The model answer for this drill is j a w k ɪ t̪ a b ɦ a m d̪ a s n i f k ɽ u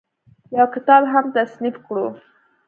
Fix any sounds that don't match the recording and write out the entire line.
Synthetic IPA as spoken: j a w k ɪ t̪ ɑ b ɦ a m t̪ a s n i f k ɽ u